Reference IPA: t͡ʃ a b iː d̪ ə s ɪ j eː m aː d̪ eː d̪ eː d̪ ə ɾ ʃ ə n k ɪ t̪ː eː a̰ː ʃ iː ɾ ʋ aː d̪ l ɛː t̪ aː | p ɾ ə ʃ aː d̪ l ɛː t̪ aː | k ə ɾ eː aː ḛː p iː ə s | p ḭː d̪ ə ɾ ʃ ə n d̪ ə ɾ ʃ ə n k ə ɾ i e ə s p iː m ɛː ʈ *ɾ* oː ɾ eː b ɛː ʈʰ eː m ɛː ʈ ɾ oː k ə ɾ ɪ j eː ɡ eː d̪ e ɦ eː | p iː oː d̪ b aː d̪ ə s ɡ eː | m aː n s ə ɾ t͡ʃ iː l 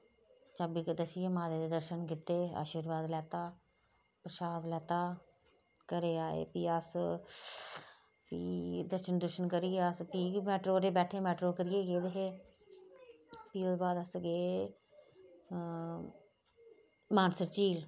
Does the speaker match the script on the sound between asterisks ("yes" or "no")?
yes